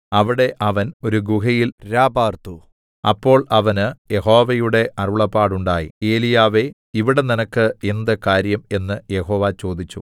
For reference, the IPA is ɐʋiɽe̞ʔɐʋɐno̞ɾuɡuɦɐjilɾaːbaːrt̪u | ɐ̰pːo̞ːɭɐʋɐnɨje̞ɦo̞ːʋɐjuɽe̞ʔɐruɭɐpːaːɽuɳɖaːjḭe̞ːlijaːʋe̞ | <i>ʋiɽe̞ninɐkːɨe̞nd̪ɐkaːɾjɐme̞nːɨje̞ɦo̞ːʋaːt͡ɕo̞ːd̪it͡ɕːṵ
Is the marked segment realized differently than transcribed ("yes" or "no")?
no